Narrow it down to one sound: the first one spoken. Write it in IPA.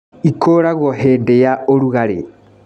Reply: i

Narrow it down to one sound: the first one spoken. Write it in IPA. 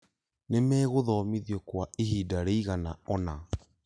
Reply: n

